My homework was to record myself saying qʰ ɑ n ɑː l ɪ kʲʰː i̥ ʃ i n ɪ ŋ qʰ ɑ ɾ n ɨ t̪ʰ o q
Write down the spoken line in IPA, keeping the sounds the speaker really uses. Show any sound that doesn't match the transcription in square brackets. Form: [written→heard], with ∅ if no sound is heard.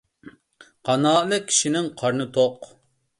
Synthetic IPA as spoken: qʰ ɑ n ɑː l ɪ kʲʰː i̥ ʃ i n ɪ ŋ qʰ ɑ ɾ n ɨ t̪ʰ o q

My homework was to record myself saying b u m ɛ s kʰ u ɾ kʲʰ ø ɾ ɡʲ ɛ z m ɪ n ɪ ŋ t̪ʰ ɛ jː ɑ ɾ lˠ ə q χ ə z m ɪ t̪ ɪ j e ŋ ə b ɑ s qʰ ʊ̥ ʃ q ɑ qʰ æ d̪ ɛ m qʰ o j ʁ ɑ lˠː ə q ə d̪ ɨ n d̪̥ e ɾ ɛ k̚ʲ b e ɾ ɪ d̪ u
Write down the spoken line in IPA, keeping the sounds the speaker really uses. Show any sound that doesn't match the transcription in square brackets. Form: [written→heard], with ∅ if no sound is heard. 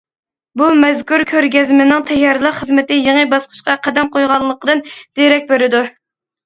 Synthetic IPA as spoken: b u m ɛ [s→z] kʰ u ɾ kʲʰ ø ɾ ɡʲ ɛ z m ɪ n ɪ ŋ t̪ʰ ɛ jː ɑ ɾ lˠ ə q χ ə z m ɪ t̪ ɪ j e ŋ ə b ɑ s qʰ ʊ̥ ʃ q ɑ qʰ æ d̪ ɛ m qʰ o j ʁ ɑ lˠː ə q ə d̪ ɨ n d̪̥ e ɾ ɛ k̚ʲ b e ɾ ɪ d̪ u

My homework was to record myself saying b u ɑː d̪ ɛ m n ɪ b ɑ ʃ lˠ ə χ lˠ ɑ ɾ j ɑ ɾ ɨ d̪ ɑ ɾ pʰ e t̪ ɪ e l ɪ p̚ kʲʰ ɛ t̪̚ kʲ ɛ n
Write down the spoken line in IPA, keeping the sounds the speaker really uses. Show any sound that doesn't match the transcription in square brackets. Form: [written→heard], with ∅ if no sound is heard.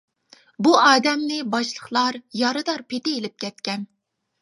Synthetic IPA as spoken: b u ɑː d̪ ɛ m n ɪ b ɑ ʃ lˠ ə χ lˠ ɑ ɾ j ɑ ɾ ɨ d̪ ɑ ɾ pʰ e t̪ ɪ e l ɪ p̚ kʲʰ ɛ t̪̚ kʲ ɛ n

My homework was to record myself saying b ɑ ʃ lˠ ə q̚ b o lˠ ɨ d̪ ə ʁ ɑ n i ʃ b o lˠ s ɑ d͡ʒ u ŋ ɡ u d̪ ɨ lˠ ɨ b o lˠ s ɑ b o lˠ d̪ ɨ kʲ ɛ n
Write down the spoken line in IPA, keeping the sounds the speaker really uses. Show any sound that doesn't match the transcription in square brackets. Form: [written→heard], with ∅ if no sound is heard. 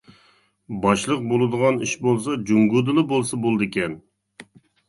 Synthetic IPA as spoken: b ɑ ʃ lˠ ə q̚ b o lˠ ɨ d̪ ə ʁ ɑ n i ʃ b o lˠ s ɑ d͡ʒ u ŋ ɡ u d̪ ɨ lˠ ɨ b o lˠ s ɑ b o lˠ d̪ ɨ kʲ ɛ n

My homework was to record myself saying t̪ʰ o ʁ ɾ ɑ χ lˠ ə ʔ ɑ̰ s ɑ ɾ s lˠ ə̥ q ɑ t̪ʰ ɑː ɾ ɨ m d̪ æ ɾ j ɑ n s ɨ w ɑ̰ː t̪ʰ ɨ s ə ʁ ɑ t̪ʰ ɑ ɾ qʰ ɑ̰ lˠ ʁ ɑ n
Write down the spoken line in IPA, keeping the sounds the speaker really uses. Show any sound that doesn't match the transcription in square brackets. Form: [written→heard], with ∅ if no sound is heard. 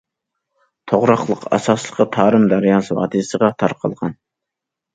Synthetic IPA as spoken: t̪ʰ o ʁ ɾ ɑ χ lˠ ə [ʔ→q] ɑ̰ s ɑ [ɾ→∅] s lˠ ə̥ q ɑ t̪ʰ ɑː ɾ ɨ m d̪ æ ɾ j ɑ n s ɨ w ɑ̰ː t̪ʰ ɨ s ə ʁ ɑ t̪ʰ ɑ ɾ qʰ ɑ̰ lˠ ʁ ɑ n

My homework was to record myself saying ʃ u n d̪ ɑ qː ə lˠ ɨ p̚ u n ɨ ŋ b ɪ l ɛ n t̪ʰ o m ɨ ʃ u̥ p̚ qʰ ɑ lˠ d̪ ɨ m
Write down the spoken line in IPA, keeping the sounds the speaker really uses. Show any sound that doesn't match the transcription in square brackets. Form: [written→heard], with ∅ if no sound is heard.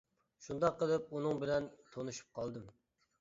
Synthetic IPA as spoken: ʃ u n d̪ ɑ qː ə lˠ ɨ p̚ u n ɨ ŋ b ɪ l ɛ n t̪ʰ o [m→n] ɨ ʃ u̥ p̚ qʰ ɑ lˠ d̪ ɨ m

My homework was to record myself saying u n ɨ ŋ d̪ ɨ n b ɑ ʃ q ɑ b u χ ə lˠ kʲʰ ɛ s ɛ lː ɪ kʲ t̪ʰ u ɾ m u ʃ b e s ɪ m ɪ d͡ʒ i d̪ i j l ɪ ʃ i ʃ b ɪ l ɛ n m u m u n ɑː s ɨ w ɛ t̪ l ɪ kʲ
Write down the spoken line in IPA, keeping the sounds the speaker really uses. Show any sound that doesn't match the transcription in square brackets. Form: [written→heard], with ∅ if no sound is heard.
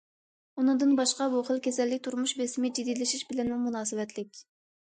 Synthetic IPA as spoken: u n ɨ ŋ d̪ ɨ n b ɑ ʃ q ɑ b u χ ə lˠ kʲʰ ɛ s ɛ lː ɪ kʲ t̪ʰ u ɾ m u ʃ b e s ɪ m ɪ d͡ʒ i d̪ i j l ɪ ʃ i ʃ b ɪ l ɛ n m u m u n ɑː s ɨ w ɛ t̪ l ɪ kʲ

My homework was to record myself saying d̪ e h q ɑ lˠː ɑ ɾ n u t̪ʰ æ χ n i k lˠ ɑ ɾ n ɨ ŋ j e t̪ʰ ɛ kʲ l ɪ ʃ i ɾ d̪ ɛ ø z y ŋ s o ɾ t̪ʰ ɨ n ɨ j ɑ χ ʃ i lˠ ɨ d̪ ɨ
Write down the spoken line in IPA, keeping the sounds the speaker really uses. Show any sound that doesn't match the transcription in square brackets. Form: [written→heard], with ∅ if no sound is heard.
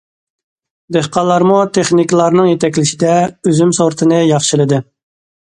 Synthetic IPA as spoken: d̪ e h q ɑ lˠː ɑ ɾ [n→m] u t̪ʰ [æ→e] χ n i k lˠ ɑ ɾ n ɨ ŋ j e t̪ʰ ɛ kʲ l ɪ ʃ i [ɾ→∅] d̪ ɛ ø z y [ŋ→m] s o ɾ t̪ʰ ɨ n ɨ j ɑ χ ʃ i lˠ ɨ d̪ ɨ

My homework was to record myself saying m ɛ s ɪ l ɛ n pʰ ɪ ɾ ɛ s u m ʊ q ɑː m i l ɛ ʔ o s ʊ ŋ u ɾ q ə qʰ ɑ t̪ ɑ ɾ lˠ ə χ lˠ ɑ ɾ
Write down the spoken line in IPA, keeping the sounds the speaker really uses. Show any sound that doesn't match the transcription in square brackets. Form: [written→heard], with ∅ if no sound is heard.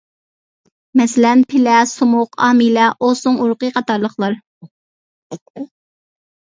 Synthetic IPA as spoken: m ɛ s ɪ l ɛ n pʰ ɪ [ɾ→l] ɛ s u m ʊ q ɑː m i l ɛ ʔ o s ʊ ŋ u ɾ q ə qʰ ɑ t̪ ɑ ɾ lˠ ə χ lˠ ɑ ɾ

